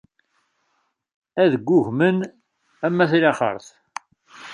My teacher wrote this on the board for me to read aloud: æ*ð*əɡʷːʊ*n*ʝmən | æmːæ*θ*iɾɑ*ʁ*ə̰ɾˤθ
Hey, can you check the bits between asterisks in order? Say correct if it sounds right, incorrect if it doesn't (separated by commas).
correct, incorrect, correct, incorrect